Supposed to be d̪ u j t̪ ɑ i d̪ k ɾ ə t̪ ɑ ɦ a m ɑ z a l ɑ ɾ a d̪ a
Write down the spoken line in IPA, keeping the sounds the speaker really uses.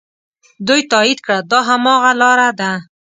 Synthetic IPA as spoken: d̪ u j t̪ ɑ i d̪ k ɽ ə d̪ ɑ ɦ a m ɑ ɣ a l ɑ ɾ a d̪ a